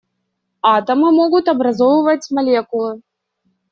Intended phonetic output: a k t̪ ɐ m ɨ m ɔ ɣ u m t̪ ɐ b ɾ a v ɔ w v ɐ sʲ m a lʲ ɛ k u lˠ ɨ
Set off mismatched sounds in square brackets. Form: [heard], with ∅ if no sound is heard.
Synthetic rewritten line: a [∅] t̪ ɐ m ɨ m ɔ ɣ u [∅] t̪ ɐ b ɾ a [z] ɔ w v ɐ [t͡sʲ] m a lʲ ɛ k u lˠ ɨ